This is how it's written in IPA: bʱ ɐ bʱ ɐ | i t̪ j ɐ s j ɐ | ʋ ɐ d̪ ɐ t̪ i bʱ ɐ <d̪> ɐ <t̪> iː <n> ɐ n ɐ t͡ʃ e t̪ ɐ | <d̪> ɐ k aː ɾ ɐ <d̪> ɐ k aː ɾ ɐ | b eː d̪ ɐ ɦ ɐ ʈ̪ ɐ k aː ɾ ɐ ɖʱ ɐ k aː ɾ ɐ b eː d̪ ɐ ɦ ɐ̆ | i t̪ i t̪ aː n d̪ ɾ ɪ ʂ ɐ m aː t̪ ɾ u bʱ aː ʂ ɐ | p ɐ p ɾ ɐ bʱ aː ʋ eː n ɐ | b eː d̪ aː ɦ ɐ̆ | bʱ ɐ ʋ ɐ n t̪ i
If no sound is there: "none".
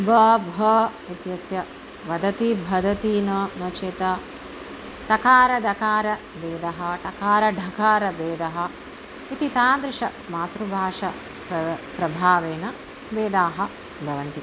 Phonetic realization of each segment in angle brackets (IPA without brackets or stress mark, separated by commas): d̪, t̪, n, t̪, d̪